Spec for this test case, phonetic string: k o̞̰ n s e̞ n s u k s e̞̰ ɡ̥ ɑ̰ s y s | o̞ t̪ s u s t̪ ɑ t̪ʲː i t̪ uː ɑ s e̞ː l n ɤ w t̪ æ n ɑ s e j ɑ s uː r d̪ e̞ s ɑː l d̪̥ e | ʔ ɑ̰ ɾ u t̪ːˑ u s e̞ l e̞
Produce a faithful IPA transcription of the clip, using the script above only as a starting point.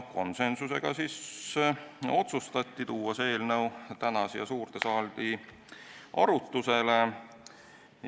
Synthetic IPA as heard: k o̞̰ n s e̞ n s u s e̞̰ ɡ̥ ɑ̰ s i s | o̞ t̪ s u s t̪ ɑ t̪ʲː i t̪ uː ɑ s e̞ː l n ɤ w t̪ æ n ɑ s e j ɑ s uː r t̪ e̞ s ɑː l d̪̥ i | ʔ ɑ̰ ɾ u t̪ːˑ u s e̞ l e̞